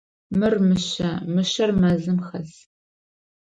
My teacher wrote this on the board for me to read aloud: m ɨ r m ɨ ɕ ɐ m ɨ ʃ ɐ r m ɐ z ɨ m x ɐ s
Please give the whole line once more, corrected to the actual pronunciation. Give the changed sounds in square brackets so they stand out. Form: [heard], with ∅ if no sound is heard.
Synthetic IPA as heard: m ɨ r m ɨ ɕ ɐ m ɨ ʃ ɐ r m ɐ z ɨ m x ɐ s